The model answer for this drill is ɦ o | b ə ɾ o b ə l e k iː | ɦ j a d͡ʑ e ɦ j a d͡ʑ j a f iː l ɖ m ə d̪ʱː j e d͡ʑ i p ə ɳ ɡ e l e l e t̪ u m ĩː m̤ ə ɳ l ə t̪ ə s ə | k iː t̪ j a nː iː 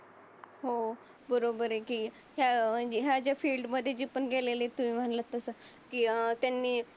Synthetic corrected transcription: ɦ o | b ə ɾ o b ə ɾ e k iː | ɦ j a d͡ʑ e ɦ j a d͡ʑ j a f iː l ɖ m ə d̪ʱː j e d͡ʑ i p ə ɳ ɡ e l e l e t̪ u m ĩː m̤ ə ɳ l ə t̪ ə s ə | k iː t̪ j a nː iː